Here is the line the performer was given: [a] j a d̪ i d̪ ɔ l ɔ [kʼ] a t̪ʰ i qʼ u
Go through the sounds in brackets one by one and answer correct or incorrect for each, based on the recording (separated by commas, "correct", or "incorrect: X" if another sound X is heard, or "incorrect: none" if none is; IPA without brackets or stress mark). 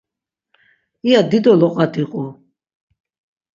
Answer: incorrect: i, incorrect: qʼ